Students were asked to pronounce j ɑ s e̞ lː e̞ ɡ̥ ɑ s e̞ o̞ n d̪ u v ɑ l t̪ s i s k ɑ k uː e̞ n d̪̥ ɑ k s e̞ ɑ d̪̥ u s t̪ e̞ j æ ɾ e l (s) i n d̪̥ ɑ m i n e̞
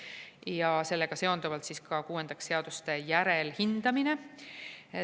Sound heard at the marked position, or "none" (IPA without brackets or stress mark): h